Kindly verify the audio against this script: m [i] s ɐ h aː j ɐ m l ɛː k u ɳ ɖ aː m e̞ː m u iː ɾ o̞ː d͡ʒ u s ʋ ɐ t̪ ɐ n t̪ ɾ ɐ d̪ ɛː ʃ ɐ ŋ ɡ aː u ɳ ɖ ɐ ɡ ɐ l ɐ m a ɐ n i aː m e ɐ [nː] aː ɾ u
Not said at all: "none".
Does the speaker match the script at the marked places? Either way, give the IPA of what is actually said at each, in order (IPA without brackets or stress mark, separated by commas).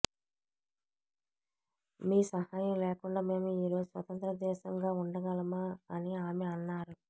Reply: iː, nː